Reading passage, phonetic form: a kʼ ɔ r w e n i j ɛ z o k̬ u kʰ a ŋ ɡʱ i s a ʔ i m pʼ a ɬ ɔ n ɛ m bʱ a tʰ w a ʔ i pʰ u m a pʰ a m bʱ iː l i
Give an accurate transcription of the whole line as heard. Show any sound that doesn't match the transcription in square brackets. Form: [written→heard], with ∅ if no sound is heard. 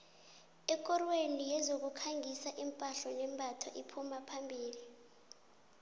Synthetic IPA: [a→ɛ] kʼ ɔ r w e n i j ɛ z o k̬ u kʰ a ŋ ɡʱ i s a ʔ i m pʼ a ɬ ɔ n ɛ m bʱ a tʰ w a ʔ i pʰ u m a pʰ a m bʱ iː l i